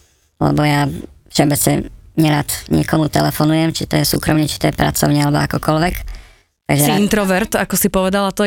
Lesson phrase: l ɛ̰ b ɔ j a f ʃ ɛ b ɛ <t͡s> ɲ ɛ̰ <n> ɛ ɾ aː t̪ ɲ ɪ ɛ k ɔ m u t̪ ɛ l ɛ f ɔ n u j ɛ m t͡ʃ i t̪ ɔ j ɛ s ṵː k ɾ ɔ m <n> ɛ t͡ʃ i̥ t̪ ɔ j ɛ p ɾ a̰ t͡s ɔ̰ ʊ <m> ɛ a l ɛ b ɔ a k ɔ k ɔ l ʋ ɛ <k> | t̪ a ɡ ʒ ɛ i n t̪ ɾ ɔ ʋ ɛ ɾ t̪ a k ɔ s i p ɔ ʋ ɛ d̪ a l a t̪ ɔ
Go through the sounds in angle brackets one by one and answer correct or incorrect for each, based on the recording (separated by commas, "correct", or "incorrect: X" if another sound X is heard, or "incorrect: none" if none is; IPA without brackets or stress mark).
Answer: correct, incorrect: ɲ, incorrect: ɲ, incorrect: ɲ, correct